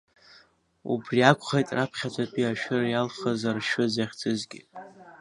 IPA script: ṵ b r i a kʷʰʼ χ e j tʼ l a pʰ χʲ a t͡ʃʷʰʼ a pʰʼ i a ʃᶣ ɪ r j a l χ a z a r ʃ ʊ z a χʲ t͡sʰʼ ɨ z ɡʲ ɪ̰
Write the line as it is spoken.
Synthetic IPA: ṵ b r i a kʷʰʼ χ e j tʼ r a pʰ χʲ a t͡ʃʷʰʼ a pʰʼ i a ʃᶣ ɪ r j a l χ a z a r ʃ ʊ z a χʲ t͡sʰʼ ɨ z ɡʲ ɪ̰